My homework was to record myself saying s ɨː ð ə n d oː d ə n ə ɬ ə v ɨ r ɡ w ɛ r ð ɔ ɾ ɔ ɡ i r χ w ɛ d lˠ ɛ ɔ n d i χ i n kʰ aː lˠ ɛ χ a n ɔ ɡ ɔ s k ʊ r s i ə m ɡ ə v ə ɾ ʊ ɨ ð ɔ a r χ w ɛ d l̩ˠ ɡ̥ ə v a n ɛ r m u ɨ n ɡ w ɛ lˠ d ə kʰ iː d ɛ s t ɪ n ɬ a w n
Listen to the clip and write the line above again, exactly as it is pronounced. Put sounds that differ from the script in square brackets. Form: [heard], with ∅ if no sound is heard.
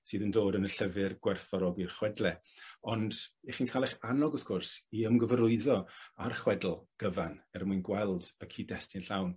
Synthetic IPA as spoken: s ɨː ð ə n d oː d ə n ə ɬ ə v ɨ r ɡ w ɛ r [θ] ɔ ɾ ɔ ɡ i r χ w ɛ d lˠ ɛ ɔ n d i χ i n kʰ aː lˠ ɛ χ a n ɔ ɡ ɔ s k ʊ r s i ə m ɡ ə v ə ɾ ʊ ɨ ð ɔ a r χ w ɛ d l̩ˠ ɡ̥ ə v a n ɛ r m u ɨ n ɡ w ɛ lˠ d ə kʰ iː d ɛ s t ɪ n ɬ a w n